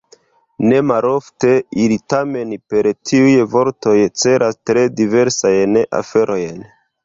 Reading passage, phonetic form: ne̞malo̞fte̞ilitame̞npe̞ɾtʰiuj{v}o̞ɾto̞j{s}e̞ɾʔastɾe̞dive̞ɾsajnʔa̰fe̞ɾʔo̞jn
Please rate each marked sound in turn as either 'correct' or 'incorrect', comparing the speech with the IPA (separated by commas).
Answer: correct, incorrect